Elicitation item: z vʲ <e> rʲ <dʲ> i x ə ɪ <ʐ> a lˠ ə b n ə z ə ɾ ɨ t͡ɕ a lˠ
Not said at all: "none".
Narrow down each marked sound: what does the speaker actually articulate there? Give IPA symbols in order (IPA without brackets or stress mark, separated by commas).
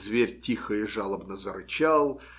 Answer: e, tʲ, ʐ